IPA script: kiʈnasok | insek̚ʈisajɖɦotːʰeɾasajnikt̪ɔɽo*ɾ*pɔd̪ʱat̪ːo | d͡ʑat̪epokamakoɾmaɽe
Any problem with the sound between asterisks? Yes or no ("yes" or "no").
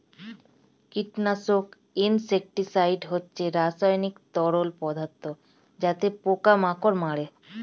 yes